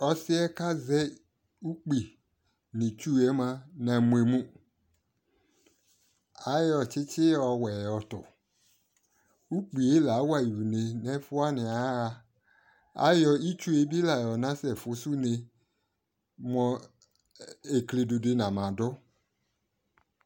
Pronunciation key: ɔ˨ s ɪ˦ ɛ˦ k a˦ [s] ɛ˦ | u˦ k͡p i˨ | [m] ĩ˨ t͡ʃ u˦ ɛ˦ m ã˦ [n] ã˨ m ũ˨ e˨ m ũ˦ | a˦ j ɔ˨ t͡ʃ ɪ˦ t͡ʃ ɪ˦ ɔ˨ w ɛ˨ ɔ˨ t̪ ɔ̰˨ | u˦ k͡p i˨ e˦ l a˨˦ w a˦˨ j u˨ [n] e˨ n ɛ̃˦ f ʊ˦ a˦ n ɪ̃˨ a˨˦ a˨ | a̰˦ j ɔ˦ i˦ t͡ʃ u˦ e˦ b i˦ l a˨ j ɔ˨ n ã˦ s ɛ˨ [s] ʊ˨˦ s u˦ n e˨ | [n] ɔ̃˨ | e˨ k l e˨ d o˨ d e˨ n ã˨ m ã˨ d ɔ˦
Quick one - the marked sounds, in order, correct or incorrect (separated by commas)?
incorrect, incorrect, correct, correct, incorrect, incorrect